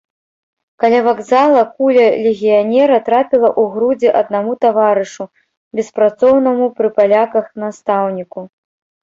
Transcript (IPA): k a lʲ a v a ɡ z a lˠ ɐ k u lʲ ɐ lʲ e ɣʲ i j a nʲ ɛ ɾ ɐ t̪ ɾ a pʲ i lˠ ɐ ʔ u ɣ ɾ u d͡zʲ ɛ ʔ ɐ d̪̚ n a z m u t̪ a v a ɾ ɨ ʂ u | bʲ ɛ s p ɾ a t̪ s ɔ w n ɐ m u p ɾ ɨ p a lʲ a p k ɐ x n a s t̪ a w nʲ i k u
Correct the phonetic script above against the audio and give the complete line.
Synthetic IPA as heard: k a lʲ a v a ɡ z a lˠ ɐ k u lʲ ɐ lʲ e ɣʲ i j a nʲ ɛ ɾ ɐ t̪ ɾ a pʲ i lˠ ɐ ʔ u ɣ ɾ u d͡zʲ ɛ ʔ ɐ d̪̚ n a m u t̪ a v a ɾ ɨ ʂ u | bʲ ɛ s p ɾ a t̪ s ɔ w n ɐ m u p ɾ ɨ p a lʲ a k ɐ x n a s t̪ a w nʲ i k u

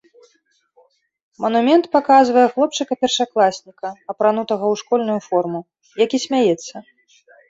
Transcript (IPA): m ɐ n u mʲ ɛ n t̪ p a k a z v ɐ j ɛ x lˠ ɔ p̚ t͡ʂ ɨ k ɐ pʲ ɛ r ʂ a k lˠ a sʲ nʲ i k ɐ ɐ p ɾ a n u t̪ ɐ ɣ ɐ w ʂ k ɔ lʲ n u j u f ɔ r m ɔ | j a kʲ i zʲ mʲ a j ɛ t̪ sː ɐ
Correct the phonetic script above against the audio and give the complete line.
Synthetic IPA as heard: m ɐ n u mʲ ɛ n t̪ p a k a z v ɐ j ɛ x lˠ ɔ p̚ t͡ʂ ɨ k ɐ pʲ ɛ r ʂ a k lˠ a sʲ nʲ i k ɐ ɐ p ɾ a n u t̪ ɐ ɣ ɐ w ʂ k ɔ lʲ n u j u f ɔ r m u | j a kʲ i sʲ mʲ a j ɛ t̪ sː ɐ

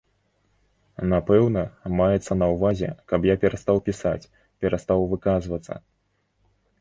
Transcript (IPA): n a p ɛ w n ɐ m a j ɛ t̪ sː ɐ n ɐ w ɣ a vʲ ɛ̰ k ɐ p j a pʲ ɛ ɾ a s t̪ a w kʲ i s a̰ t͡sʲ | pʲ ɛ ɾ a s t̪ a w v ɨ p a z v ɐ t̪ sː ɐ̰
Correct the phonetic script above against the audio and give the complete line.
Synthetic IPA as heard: n a p ɛ w n ɐ m a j ɛ t̪ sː ɐ n ɐ w v a zʲ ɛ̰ k ɐ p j a pʲ ɛ ɾ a s t̪ a w pʲ i s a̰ t͡sʲ | pʲ ɛ ɾ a s t̪ a w v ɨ k a z v ɐ t̪ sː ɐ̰

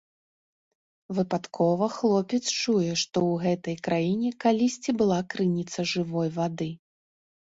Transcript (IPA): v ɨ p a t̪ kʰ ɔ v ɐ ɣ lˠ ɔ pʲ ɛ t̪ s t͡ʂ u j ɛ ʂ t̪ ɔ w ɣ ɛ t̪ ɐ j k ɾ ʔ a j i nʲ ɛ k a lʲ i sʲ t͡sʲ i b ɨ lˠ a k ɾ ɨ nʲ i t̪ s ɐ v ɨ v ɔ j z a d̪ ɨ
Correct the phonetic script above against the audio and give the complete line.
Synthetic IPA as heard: v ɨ p a t̪ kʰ ɔ v ɐ x lˠ ɔ pʲ ɛ t̪ s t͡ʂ u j ɛ ʂ t̪ ɔ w ɣ ɛ t̪ ɐ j k ɾ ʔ a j i nʲ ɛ k a lʲ i sʲ t͡sʲ i b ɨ lˠ a k ɾ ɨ nʲ i t̪ s ɐ ʐ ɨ v ɔ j v a d̪ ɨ

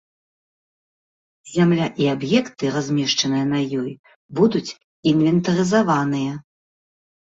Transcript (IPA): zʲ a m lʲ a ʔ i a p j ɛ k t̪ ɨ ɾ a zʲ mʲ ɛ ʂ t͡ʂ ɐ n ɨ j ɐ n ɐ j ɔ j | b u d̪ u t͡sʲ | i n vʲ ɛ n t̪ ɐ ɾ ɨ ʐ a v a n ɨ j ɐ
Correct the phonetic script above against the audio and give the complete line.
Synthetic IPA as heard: zʲ a m lʲ a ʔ i a b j ɛ k t̪ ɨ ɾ a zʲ mʲ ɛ ʂ t͡ʂ ɐ n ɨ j ɐ n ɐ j ɔ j | b u d̪ u t͡sʲ | i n vʲ ɛ n t̪ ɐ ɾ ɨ z a v a n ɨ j ɐ

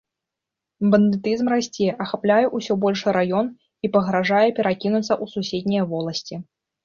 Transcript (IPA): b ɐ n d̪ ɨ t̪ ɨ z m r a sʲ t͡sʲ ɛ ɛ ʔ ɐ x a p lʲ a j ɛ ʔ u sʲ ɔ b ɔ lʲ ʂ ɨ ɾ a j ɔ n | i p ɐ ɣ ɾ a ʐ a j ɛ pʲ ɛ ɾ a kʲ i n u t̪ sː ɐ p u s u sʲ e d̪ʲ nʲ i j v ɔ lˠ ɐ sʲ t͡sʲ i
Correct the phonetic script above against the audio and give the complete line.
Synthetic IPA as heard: b ɐ n d̪ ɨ t̪ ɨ z m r a sʲ t͡sʲ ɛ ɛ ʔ ɐ x a p lʲ a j ɛ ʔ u sʲ ɔ b ɔ lʲ ʂ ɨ ɾ a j ɔ n | i p ɐ ɣ ɾ a ʐ a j ɛ pʲ ɛ ɾ a kʲ i n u t̪ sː ɐ ʔ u s u sʲ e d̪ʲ nʲ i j v ɔ lˠ ɐ sʲ t͡sʲ i

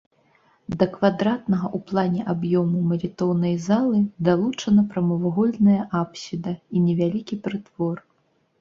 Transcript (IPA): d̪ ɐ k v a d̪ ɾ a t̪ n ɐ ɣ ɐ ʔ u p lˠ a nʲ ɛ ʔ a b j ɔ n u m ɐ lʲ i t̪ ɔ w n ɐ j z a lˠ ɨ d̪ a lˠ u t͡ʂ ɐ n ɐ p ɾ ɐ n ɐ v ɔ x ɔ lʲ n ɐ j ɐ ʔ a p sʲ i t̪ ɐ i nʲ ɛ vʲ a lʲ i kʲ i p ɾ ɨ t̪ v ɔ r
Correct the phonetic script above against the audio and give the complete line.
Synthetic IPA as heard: d̪ ɐ k v a d̪ ɾ a t̪ n ɐ ɣ ɐ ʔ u p lˠ a nʲ ɛ ʔ a b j ɔ m u m ɐ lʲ i t̪ ɔ w n ɐ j z a lˠ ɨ d̪ a lˠ u t͡ʂ ɐ n ɐ p ɾ ɐ m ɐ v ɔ ɣ ɔ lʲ n ɐ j ɐ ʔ a p sʲ i d̪ ɐ i nʲ ɛ vʲ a lʲ i kʲ i p ɾ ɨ t̪ v ɔ r

